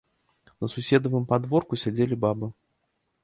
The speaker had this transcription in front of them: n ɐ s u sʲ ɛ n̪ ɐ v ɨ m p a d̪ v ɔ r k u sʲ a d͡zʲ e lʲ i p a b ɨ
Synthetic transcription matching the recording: n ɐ s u sʲ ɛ d̪ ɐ v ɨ m p a d̪ v ɔ r k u sʲ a d͡zʲ e lʲ i b a b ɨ